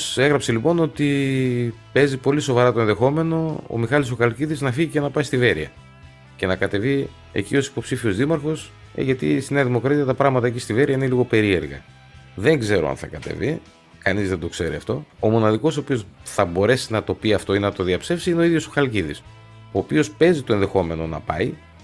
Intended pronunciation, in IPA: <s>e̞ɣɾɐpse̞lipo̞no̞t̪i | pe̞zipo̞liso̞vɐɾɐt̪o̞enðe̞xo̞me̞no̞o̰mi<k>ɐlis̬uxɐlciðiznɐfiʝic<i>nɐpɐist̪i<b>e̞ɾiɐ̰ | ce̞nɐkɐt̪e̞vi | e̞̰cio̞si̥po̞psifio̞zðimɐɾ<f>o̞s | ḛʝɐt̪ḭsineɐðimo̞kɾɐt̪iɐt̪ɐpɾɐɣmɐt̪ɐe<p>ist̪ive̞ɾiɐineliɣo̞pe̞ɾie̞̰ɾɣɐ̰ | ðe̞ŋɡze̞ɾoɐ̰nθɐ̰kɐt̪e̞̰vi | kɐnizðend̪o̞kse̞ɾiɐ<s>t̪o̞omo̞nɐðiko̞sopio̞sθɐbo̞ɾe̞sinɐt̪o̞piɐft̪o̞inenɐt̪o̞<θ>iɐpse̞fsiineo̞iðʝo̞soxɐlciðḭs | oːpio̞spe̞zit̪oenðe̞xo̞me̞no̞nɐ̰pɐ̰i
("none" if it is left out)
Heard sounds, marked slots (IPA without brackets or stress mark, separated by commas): s, x, e, v, x, c, f, ð